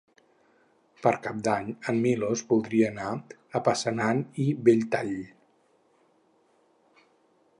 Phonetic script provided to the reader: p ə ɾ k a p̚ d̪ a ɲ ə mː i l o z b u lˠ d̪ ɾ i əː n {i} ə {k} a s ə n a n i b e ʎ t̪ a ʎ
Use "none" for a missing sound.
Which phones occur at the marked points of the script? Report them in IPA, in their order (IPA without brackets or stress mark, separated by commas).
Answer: a, p